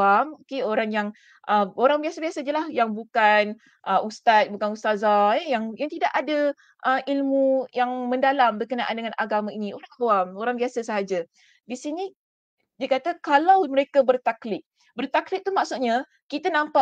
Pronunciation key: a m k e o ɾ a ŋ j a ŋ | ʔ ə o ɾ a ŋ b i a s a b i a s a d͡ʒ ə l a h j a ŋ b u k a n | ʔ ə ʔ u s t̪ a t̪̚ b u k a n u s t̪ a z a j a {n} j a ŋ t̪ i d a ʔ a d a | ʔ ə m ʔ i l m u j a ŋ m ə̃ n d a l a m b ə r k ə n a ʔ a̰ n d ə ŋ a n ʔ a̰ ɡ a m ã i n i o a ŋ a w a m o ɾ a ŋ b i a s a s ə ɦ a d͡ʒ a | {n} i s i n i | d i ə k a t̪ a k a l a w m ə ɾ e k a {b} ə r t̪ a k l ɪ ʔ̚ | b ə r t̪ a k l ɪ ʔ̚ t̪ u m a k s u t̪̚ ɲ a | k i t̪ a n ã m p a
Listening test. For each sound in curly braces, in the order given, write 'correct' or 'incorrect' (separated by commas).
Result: incorrect, incorrect, correct